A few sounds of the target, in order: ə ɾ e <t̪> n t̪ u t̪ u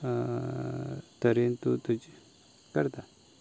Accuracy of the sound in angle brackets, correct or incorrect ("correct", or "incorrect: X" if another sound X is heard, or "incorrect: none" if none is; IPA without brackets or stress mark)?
incorrect: none